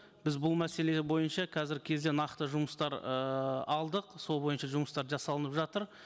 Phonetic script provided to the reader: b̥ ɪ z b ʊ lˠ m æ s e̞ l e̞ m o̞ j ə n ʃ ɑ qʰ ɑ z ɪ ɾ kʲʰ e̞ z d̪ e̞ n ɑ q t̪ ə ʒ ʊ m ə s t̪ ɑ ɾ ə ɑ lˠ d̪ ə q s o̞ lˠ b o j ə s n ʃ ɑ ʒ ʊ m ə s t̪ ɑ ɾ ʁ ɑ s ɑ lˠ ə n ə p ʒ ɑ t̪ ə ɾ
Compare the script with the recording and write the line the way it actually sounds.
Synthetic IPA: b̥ ɪ z b ʊ lˠ m æ s e̞ l e̞ b o̞ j ə n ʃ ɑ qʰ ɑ z ɪ ɾ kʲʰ e̞ z d̪ e̞ n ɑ q t̪ ə ʒ ʊ m ə s t̪ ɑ ɾ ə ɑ lˠ d̪ ə q s o̞ lˠ b o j ə n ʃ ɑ ʒ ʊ m ə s t̪ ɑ ɾ ʒ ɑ s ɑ lˠ ə n ə p ʒ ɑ t̪ ə ɾ